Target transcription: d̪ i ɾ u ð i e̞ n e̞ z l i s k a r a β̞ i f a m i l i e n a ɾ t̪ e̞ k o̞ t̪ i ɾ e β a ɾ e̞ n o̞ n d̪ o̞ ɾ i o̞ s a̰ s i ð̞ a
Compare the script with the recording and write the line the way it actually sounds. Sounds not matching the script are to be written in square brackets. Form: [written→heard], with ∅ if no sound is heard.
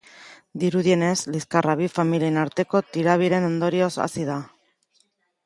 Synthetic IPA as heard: d̪ i ɾ u ð i e̞ n e̞ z l i s k a r a β̞ i f a m i l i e n a ɾ t̪ e̞ k o̞ t̪ i ɾ [e→a] β [a→i] ɾ e̞ n o̞ n d̪ o̞ ɾ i o̞ s a̰ s i ð̞ a